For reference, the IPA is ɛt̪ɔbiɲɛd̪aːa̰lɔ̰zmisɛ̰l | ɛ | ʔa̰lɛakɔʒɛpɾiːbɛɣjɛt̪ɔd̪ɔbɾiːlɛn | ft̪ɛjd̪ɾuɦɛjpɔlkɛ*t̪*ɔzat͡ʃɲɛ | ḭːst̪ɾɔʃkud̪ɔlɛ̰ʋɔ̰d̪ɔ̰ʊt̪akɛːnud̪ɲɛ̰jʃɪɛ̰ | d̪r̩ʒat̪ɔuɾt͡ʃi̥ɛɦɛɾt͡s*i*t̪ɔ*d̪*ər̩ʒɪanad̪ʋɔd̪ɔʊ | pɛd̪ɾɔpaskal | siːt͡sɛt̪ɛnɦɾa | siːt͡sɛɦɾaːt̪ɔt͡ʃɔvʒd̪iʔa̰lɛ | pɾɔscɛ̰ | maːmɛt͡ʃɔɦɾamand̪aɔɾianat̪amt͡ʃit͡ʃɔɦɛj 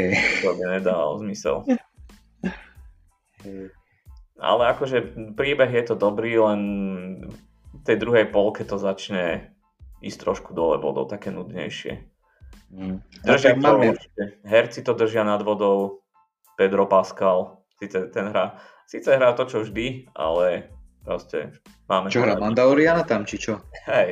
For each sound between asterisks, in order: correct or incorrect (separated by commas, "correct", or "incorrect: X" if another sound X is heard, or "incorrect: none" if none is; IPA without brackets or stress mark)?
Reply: correct, correct, correct